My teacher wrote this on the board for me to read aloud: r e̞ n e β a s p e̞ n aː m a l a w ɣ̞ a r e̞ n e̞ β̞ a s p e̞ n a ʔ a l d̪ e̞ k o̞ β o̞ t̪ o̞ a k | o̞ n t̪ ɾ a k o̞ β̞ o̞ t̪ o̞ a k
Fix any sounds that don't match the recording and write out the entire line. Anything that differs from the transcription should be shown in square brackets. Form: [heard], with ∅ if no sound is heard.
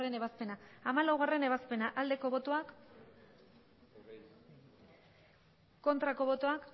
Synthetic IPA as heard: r e̞ n e β a s p e̞ n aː m a l a w ɣ̞ a r e̞ n e̞ β̞ a s p e̞ n a ʔ a l d̪ e̞ k o̞ β o̞ t̪ o̞ a k | o̞ n t̪ ɾ a k o̞ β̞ o̞ t̪ o̞ a k

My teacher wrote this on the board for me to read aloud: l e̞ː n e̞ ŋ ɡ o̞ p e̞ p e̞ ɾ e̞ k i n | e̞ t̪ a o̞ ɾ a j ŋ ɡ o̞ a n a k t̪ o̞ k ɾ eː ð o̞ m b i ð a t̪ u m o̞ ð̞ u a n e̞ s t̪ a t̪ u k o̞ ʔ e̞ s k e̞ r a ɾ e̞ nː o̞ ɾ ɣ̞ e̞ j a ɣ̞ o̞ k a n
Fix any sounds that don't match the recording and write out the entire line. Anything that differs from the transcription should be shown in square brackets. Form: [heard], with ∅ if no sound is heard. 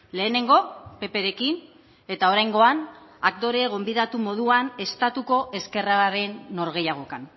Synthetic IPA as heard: l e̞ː n e̞ ŋ ɡ o̞ p e̞ p e̞ ɾ e̞ k i n | e̞ t̪ a o̞ ɾ a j ŋ ɡ o̞ a n a k t̪ o̞ [∅] ɾ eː [ɣ] o̞ m b i ð a t̪ u m o̞ ð̞ u a n e̞ s t̪ a t̪ u k o̞ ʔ e̞ s k e̞ r a ɾ e̞ nː o̞ ɾ ɣ̞ e̞ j a ɣ̞ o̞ k a n

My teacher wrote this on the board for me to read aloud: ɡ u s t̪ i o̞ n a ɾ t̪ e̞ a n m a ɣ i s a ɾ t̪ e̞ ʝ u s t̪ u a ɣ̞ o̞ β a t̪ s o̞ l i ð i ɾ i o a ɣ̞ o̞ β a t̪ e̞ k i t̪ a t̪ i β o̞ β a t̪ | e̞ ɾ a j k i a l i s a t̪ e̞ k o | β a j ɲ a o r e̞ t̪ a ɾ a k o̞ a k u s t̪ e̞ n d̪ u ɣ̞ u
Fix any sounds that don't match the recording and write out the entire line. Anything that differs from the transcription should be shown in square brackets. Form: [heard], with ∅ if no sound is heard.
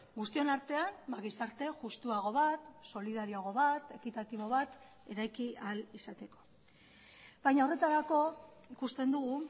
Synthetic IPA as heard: ɡ u s t̪ i o̞ n a ɾ t̪ e̞ a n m a ɣ i s a ɾ t̪ e̞ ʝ u s t̪ u a ɣ̞ o̞ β a t̪ s o̞ l i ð [a] ɾ i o a ɣ̞ o̞ β a t̪ e̞ k i t̪ a t̪ i β o̞ β a t̪ | e̞ ɾ a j k i a l i s a t̪ e̞ k o | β a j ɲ a o r e̞ t̪ a ɾ a k o̞ [i] k u s t̪ e̞ n d̪ u ɣ̞ u

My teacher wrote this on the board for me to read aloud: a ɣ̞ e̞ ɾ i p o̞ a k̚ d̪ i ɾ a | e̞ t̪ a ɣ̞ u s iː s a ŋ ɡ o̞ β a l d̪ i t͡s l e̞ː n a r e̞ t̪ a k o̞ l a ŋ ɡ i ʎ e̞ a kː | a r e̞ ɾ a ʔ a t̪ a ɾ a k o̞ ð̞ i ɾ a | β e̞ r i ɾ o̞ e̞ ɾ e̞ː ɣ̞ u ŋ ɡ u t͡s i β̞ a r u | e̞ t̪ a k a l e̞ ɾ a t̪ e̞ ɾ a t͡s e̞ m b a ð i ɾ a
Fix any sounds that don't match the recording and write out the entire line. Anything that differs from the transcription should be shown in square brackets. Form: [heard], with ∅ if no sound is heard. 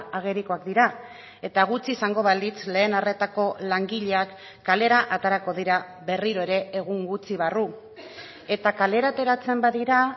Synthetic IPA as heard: a ɣ̞ e̞ ɾ i [k] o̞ a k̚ d̪ i ɾ a | e̞ t̪ a ɣ̞ u [t͡s] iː s a ŋ ɡ o̞ β a l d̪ i t͡s l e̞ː n a r e̞ t̪ a k o̞ l a ŋ ɡ i ʎ e̞ a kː | a [l] e̞ ɾ a ʔ a t̪ a ɾ a k o̞ ð̞ i ɾ a | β e̞ r i ɾ o̞ e̞ ɾ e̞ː ɣ̞ u ŋ ɡ u t͡s i β̞ a r u | e̞ t̪ a k a l e̞ ɾ a t̪ e̞ ɾ a t͡s e̞ m b a ð i ɾ a

